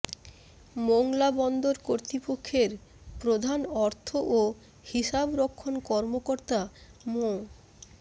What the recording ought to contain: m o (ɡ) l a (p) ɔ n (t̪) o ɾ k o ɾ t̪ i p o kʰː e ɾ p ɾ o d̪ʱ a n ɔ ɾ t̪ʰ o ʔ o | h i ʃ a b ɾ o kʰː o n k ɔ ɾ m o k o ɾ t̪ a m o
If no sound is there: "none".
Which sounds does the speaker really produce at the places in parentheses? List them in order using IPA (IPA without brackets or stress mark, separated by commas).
ŋ, b, d̪